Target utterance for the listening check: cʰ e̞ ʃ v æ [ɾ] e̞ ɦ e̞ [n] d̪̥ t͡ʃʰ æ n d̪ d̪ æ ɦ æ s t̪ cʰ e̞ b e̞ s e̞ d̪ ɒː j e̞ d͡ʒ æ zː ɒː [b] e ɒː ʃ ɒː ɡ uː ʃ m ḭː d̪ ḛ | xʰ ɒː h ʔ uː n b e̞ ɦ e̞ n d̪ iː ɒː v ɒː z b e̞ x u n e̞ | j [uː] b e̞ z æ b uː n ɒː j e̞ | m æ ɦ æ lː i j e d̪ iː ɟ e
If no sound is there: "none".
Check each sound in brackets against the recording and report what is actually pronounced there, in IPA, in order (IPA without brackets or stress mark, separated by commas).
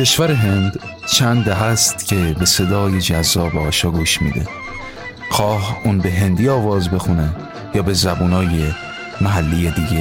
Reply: ɾ, n, b, ɒː